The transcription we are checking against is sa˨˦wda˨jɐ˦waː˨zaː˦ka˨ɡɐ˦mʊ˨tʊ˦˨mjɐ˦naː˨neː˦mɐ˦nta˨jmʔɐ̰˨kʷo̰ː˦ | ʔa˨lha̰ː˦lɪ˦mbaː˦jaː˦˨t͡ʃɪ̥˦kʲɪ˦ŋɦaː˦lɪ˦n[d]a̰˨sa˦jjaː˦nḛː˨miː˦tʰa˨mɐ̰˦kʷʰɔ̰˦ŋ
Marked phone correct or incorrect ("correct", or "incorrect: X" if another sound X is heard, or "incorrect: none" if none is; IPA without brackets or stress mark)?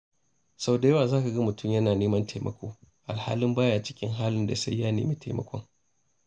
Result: correct